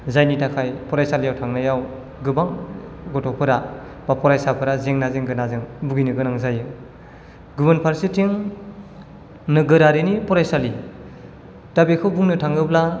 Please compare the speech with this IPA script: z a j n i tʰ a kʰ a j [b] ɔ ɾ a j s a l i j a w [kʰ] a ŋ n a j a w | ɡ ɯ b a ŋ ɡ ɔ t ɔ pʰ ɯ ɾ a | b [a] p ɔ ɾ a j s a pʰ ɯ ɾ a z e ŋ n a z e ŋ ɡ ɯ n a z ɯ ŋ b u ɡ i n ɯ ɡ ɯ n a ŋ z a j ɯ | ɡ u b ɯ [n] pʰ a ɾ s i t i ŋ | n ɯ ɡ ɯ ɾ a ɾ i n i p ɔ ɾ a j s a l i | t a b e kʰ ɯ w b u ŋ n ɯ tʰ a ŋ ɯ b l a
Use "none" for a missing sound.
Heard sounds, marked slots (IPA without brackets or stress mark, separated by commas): p, tʰ, a, n